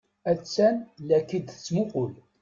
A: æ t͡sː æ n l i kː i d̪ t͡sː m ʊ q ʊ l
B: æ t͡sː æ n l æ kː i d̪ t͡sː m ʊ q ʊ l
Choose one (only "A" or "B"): B